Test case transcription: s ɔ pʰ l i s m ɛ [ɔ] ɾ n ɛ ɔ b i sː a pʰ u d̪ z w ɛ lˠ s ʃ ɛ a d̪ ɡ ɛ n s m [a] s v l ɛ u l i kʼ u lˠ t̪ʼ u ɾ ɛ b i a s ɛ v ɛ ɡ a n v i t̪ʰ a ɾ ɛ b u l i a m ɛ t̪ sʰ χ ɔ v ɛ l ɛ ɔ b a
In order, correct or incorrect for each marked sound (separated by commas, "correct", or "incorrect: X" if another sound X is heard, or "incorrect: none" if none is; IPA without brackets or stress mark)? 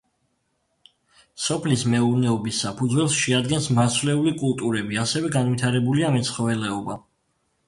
incorrect: u, correct